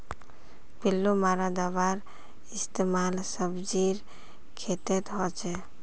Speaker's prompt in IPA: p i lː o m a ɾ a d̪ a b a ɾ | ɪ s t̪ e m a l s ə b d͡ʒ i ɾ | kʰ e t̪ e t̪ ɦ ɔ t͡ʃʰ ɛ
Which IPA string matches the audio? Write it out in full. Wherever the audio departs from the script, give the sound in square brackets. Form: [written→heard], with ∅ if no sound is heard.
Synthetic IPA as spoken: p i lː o m a ɾ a d̪ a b a ɾ | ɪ s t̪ e m a l s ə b d͡ʒ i ɾ | kʰ e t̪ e t̪ ɦ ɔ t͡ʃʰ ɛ